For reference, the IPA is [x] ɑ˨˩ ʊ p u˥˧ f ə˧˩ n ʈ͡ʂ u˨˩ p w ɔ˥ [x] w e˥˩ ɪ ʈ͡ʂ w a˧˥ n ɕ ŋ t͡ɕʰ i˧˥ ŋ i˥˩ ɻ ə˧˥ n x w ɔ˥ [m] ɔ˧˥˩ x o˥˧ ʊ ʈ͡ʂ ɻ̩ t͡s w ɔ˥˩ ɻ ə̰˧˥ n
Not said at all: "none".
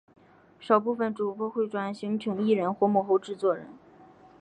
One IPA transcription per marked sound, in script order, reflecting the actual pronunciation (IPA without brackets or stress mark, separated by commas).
ʂ, x, m